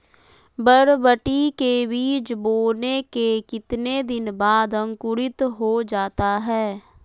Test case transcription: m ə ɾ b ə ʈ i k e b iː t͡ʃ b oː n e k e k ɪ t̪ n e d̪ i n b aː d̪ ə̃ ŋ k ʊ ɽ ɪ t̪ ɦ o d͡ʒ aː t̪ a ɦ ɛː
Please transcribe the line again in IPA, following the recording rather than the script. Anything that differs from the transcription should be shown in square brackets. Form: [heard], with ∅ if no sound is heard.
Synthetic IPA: [b] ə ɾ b ə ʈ i k e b iː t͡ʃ b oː n e k e k ɪ t̪ n e d̪ [ɪ] n b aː d̪ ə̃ ŋ k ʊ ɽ ɪ t̪ ɦ o d͡ʒ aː t̪ a ɦ ɛː